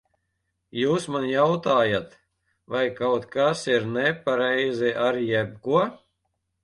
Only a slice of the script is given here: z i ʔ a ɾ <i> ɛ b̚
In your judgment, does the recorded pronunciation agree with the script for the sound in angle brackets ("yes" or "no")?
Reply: no